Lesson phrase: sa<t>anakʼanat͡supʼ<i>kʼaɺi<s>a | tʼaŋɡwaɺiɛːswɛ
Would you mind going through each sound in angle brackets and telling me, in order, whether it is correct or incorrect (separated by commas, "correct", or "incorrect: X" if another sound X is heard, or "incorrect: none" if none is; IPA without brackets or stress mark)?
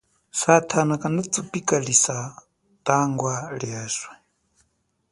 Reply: incorrect: tʰ, correct, correct